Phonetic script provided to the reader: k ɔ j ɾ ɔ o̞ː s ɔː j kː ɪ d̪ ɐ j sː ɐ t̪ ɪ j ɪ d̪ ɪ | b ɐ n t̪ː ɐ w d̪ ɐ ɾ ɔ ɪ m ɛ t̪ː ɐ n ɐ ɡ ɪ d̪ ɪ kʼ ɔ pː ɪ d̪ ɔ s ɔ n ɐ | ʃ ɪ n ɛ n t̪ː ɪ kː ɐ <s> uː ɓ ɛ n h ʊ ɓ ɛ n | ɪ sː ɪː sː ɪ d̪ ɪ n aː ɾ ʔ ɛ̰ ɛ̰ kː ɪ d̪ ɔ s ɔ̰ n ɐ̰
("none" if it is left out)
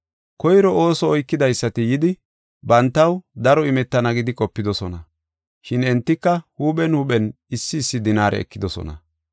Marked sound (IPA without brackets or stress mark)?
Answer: h